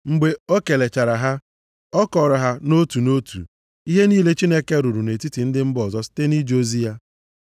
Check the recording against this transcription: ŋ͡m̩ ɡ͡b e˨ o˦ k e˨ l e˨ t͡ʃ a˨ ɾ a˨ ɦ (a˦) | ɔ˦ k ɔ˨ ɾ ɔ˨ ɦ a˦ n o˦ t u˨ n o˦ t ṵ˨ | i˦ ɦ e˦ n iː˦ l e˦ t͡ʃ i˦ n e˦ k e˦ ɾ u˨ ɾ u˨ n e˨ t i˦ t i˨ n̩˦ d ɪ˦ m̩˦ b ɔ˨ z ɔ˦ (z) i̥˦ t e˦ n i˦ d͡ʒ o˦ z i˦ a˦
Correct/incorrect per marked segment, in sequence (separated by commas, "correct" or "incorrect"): correct, incorrect